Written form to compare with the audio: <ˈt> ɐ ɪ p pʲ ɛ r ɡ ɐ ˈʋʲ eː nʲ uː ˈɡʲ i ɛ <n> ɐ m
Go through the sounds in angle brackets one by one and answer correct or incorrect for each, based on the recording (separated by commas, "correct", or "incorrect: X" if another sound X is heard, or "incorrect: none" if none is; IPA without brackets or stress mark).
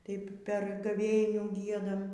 correct, incorrect: d